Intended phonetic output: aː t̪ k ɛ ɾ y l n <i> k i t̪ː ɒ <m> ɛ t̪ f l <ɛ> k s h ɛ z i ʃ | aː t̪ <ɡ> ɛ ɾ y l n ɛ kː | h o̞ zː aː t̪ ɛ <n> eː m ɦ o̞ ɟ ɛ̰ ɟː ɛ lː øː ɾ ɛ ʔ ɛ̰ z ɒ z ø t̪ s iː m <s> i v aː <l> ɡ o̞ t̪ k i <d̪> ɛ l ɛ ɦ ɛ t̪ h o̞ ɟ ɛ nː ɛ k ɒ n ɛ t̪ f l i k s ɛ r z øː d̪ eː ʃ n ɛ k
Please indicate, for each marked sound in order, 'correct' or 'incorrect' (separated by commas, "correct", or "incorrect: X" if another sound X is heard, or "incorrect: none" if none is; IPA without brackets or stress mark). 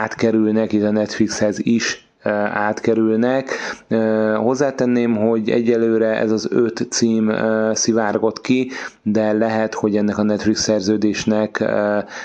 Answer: incorrect: ɛ, incorrect: n, incorrect: i, incorrect: k, incorrect: nː, correct, incorrect: r, correct